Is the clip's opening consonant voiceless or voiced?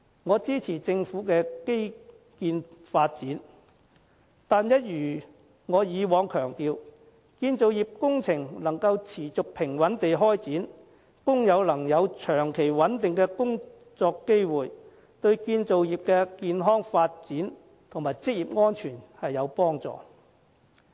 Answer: voiced